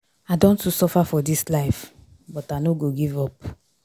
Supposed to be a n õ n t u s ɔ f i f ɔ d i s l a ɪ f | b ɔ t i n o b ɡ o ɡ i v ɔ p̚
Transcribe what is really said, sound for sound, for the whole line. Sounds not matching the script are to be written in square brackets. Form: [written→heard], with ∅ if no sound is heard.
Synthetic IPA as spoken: a [n→d] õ n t u s ɔ f [i→a] f ɔ d i s l a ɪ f | b ɔ t [i→a] n o [b→∅] ɡ o ɡ i v ɔ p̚